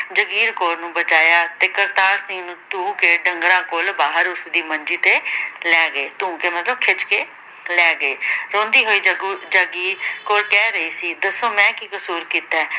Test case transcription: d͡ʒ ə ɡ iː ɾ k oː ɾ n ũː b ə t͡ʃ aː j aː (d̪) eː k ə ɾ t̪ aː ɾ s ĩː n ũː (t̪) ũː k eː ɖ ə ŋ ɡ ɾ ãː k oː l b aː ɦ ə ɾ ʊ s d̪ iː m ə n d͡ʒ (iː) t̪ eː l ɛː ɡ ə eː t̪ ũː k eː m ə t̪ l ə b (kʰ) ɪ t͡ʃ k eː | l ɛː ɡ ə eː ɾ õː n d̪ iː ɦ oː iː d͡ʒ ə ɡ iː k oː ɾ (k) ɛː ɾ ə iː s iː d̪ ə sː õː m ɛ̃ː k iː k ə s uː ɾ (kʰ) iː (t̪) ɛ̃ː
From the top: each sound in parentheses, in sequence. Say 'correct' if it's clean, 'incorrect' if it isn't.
incorrect, correct, correct, correct, correct, incorrect, correct

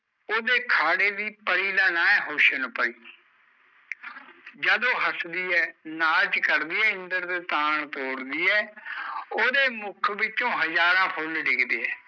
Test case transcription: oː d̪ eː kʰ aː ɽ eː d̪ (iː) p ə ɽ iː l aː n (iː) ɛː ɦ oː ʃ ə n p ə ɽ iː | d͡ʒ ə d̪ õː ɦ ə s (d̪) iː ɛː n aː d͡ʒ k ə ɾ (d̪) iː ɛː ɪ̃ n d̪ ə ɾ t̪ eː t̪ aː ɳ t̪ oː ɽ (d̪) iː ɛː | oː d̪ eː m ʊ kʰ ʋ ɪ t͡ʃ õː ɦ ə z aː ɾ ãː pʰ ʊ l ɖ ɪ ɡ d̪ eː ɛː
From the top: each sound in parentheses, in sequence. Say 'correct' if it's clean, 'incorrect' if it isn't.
correct, incorrect, correct, correct, correct

